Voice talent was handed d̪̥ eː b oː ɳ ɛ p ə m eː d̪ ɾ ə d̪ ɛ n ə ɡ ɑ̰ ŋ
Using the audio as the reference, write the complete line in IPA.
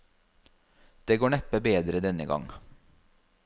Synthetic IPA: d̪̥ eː ɡ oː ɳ ɛ p ə b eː d̪ ɾ ə d̪ ɛ n ə ɡ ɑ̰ ŋ